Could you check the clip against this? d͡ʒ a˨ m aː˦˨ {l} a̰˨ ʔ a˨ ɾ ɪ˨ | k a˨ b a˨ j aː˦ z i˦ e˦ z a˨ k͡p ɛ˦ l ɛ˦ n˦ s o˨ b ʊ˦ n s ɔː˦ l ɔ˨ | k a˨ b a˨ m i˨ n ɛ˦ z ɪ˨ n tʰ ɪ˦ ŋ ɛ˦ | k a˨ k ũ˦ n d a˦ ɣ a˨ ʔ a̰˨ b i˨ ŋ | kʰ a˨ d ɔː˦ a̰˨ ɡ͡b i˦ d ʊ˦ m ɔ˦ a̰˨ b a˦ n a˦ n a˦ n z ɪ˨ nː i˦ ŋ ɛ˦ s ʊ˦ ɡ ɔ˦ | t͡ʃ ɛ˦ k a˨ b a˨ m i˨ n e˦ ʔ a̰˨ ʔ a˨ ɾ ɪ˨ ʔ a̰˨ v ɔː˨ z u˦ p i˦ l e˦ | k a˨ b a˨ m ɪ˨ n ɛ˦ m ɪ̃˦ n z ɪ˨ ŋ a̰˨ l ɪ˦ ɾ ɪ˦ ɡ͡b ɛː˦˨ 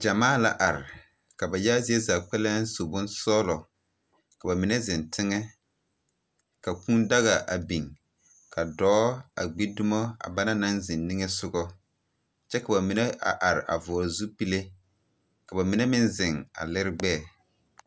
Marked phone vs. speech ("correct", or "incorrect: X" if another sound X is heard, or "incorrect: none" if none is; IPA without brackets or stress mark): correct